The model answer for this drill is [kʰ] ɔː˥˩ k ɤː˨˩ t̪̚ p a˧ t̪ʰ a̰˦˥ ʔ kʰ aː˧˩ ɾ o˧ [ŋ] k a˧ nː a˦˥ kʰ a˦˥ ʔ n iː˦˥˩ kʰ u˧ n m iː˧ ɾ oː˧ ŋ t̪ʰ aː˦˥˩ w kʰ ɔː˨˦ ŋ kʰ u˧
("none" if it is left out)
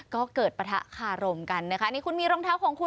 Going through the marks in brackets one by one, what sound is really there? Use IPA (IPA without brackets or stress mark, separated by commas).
k, m